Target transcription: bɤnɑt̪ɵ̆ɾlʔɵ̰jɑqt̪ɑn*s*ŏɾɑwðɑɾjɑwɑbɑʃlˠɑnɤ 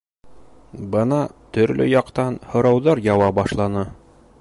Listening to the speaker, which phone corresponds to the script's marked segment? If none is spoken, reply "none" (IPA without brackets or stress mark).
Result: h